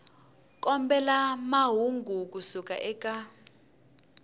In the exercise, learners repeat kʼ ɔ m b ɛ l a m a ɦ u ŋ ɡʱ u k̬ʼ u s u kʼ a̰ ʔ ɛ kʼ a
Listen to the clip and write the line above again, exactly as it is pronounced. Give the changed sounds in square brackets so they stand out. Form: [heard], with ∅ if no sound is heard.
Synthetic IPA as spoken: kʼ ɔ m b ɛ l a m a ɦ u ŋ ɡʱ u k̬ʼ u s u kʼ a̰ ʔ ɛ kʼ a